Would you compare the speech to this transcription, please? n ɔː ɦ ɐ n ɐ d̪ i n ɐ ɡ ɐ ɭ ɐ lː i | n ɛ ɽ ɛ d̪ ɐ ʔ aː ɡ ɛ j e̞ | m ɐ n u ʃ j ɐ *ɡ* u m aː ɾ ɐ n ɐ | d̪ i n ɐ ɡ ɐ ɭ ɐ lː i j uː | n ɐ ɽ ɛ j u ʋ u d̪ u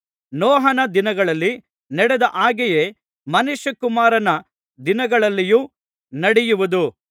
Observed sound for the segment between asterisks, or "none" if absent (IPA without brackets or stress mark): k